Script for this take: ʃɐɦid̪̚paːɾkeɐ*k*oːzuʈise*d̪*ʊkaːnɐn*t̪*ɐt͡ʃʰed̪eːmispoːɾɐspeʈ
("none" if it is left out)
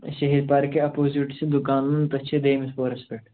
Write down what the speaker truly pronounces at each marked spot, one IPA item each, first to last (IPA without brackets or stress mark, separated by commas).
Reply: p, d̪, t̪